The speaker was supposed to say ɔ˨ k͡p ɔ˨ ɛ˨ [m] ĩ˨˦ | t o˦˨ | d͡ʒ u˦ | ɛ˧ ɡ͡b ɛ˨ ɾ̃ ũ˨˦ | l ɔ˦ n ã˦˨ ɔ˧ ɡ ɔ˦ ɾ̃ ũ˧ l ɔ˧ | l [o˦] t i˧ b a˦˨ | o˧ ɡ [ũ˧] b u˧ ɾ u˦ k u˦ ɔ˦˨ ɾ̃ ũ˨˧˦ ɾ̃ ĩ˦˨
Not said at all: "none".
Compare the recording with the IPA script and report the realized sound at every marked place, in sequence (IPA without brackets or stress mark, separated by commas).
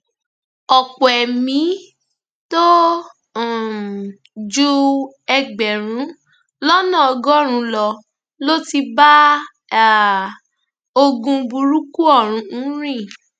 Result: m, o˦, ũ˧